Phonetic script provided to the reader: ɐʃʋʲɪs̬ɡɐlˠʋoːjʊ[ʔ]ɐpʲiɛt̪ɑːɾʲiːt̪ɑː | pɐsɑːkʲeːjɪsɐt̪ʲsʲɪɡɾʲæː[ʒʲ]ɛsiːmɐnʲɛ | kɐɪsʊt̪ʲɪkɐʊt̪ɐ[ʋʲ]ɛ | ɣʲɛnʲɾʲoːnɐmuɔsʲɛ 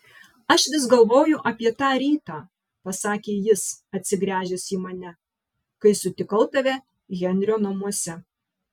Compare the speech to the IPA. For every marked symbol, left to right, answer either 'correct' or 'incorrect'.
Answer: correct, correct, correct

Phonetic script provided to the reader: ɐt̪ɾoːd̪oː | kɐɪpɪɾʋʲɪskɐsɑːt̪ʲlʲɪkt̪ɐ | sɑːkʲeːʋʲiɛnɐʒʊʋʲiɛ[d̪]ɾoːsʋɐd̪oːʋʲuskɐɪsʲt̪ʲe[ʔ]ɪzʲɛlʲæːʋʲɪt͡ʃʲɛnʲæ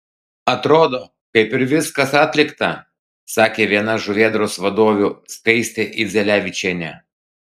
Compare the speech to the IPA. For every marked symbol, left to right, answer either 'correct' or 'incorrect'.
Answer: correct, correct

